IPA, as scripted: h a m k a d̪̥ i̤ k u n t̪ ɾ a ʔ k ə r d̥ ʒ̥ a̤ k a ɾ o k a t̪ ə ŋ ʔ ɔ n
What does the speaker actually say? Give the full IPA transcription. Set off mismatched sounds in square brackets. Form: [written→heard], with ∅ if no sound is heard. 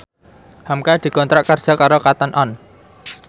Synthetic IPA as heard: h a m k a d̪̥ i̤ k [u→ɔ] n t̪ ɾ a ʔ k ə r d̥ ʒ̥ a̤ k a ɾ o k a t̪ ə [ŋ→n] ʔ ɔ n